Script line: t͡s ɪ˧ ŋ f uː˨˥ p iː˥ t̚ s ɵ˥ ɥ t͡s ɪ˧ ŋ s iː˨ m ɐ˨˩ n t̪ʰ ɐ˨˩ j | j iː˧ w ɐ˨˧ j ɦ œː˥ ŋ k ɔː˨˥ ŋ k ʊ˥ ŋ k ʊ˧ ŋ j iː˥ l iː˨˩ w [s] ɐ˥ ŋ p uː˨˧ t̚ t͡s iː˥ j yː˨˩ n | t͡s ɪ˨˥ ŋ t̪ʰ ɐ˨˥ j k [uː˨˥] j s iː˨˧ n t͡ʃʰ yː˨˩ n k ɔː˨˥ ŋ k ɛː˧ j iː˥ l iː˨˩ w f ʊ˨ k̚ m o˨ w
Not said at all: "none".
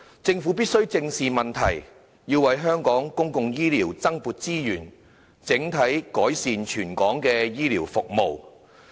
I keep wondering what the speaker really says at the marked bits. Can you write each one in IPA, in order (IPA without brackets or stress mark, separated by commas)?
t͡s, ɔː˨˥